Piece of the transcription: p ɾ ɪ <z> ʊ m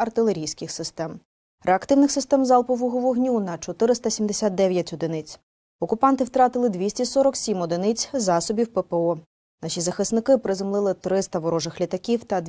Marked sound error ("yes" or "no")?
no